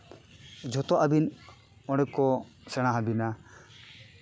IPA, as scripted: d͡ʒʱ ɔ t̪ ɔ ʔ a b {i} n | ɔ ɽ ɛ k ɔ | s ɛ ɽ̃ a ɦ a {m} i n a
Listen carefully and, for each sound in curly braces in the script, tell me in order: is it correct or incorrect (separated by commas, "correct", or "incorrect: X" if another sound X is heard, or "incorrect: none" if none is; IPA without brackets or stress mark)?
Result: correct, incorrect: b